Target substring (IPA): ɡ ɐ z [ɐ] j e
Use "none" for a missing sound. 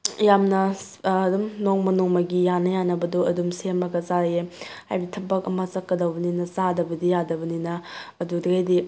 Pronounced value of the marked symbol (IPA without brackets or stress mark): a